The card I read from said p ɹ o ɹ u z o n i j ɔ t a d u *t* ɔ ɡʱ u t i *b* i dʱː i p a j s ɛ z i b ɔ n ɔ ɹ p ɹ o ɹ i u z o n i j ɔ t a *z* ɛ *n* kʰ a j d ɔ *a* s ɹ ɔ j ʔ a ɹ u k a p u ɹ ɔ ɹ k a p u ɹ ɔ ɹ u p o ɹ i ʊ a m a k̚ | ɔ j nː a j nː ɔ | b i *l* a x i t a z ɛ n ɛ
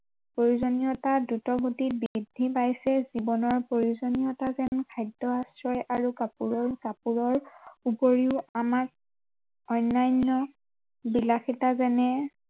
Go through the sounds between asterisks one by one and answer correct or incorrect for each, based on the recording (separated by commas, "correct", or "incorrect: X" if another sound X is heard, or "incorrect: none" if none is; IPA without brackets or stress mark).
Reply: correct, correct, correct, correct, correct, correct